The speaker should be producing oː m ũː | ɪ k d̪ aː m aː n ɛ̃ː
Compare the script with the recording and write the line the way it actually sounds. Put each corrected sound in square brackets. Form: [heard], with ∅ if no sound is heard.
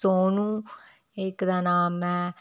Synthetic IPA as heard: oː [n] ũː | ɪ k d̪ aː [n] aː [m] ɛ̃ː